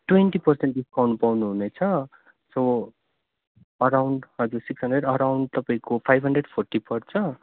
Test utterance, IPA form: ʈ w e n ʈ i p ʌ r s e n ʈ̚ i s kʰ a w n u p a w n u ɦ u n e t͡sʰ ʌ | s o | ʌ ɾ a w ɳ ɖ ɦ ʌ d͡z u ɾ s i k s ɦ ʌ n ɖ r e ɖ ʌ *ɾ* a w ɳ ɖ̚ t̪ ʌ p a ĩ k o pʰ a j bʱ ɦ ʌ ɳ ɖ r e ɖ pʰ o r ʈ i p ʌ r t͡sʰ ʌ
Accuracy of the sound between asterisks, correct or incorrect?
correct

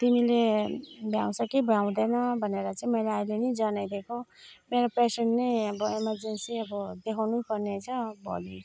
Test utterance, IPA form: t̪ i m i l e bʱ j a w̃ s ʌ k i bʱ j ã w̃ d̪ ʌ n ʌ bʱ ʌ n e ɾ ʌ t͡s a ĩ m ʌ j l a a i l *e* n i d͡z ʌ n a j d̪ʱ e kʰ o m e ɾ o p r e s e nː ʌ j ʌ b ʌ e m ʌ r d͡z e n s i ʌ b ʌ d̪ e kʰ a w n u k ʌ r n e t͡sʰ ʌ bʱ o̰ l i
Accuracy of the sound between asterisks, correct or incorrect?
correct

